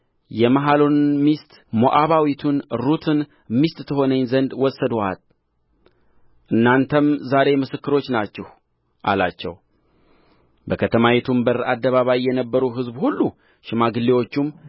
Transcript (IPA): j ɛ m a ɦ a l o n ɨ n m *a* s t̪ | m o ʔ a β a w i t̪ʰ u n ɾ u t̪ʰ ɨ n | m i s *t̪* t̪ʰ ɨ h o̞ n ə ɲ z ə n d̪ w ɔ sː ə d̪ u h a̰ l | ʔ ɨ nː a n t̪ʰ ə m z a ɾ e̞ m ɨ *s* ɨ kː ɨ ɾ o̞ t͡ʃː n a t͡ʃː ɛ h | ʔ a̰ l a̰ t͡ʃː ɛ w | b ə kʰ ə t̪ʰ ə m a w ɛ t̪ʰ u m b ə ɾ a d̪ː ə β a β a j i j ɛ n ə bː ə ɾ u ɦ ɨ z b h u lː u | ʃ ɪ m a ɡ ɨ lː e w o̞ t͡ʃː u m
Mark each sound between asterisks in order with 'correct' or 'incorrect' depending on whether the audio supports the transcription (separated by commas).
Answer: incorrect, correct, correct